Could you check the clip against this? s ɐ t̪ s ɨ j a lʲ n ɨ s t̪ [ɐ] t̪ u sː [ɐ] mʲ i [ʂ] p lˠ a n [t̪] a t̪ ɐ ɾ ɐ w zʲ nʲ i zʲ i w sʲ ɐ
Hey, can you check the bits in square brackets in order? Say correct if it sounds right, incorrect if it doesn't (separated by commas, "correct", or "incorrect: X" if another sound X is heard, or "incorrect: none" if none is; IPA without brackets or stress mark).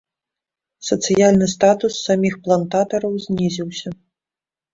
incorrect: a, incorrect: a, incorrect: x, correct